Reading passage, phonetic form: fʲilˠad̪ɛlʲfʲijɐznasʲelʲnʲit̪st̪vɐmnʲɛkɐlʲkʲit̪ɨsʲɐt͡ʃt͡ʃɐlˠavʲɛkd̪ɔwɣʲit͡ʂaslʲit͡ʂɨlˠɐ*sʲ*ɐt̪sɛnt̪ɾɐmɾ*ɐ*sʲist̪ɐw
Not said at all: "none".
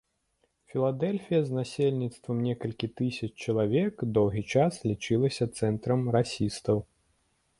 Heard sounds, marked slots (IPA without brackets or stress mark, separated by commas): sʲ, a